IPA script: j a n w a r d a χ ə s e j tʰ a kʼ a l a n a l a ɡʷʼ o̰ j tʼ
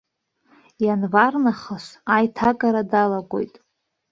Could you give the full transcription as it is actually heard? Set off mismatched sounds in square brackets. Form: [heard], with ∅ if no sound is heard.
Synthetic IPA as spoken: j a n [v] a r [n] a χ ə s [a] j tʰ a kʼ a [ɾ] a [d] a l a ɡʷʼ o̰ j tʼ